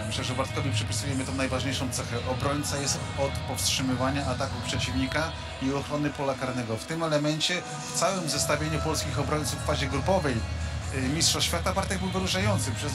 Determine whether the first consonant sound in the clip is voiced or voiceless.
voiced